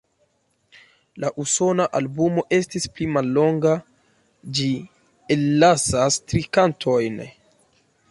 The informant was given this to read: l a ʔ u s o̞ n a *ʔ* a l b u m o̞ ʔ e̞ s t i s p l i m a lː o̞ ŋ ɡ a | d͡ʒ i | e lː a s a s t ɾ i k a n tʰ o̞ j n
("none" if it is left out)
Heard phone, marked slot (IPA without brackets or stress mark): ʔ